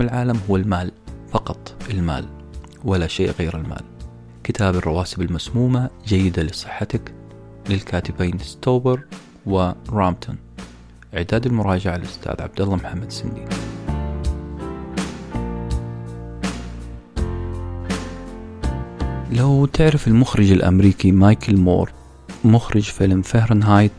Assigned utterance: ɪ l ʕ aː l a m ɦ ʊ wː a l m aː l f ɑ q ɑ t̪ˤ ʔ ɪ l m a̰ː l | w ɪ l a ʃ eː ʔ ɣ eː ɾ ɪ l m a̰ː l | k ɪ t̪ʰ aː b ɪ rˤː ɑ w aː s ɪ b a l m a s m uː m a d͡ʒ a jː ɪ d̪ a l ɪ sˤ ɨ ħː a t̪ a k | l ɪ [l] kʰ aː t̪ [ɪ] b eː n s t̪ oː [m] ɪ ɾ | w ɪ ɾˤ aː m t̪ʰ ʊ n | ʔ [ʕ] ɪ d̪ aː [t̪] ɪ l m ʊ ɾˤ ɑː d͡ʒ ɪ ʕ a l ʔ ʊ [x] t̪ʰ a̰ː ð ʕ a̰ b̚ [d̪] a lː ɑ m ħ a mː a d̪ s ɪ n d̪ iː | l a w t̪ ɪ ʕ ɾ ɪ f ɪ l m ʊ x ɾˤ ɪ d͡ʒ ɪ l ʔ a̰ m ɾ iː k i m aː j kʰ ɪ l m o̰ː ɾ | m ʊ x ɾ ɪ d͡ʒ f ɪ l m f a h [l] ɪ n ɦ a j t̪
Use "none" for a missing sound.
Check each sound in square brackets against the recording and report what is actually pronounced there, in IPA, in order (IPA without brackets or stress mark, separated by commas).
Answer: l, ɪ, b, ʕ, d̪, s, d̪, ɾ